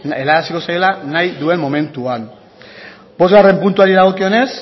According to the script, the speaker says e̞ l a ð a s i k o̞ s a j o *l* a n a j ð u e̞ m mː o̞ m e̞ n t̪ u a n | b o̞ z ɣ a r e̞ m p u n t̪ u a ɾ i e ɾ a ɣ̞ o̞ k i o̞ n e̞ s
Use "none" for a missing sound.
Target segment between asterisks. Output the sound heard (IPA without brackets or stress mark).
l